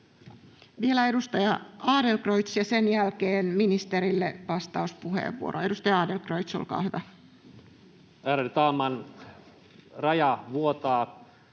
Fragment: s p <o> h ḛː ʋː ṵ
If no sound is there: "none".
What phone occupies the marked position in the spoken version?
u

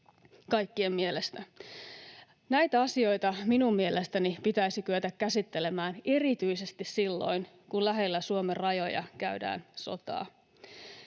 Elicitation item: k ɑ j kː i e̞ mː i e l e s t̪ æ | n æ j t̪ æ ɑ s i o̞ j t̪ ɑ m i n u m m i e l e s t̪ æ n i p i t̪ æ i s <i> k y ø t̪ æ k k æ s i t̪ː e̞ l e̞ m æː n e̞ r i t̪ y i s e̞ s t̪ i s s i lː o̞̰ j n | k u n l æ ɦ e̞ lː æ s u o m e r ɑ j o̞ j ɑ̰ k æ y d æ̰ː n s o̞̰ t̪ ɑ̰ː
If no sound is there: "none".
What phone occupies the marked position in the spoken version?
i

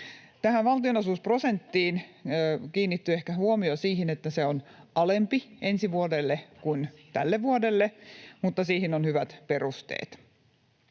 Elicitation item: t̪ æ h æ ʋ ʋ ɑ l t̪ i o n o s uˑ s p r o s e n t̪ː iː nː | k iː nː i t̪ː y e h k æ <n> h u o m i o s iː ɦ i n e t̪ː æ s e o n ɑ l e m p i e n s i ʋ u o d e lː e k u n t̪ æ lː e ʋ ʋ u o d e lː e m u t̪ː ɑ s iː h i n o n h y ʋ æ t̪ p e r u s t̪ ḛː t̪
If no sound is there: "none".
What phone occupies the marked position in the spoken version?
none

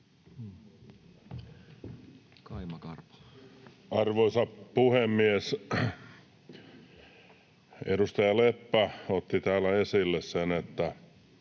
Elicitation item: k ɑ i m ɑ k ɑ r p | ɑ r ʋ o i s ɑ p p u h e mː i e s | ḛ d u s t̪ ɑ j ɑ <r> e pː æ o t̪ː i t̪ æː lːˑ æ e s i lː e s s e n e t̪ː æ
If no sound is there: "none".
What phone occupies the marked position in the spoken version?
l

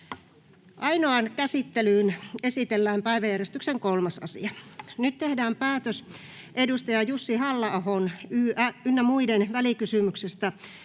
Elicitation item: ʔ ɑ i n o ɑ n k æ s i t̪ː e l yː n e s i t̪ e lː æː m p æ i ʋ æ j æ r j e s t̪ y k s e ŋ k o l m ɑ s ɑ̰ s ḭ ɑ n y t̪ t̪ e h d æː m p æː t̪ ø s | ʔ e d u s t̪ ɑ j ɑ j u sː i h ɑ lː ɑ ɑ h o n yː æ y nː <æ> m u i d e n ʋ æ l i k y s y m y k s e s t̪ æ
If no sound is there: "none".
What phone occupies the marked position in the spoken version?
æ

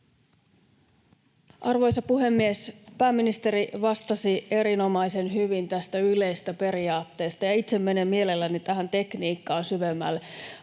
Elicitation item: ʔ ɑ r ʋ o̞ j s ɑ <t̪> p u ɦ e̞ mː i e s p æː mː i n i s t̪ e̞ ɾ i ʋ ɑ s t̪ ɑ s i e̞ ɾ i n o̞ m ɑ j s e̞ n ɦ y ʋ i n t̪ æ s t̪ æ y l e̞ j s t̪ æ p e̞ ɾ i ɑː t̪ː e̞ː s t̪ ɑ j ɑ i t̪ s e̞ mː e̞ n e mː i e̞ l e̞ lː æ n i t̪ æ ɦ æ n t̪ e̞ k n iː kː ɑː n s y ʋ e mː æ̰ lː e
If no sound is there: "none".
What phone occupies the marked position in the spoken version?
none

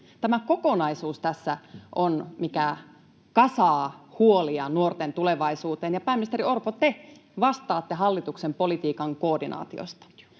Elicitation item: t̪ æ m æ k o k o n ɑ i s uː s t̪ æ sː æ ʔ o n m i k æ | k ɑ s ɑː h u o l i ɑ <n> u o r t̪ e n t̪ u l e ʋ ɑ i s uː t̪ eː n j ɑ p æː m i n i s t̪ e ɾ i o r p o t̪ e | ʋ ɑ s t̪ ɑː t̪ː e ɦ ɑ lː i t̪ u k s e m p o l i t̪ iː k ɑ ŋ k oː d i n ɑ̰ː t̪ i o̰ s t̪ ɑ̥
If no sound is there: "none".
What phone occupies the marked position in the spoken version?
n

